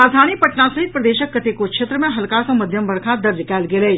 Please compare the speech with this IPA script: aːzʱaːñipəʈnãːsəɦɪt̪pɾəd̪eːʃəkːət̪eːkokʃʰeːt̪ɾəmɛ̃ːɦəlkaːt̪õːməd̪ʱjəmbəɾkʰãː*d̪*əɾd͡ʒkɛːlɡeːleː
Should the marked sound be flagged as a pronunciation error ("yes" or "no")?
no